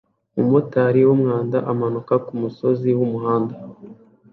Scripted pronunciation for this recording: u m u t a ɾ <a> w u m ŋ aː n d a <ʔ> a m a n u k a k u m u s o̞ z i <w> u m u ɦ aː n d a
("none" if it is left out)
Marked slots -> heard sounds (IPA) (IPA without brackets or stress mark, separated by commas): i, ʔ, w